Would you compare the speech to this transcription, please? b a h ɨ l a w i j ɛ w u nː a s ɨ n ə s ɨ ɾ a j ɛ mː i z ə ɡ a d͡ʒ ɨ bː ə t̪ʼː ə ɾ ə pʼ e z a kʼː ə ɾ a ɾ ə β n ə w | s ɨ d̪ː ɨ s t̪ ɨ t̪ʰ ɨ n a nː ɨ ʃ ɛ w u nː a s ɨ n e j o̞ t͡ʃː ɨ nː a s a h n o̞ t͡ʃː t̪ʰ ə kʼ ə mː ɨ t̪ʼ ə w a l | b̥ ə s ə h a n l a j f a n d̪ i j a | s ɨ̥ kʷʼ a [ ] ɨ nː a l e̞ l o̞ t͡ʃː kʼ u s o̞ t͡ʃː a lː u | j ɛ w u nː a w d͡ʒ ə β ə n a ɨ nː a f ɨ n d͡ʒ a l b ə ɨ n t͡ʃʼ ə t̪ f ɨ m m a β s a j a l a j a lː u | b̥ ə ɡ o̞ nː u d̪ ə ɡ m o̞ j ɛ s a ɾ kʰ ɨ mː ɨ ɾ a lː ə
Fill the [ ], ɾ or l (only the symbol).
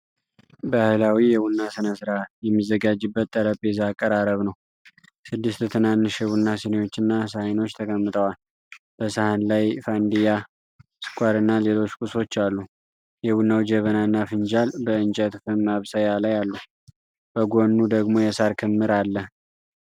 ɾ